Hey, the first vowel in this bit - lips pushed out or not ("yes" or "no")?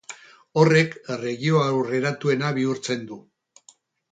yes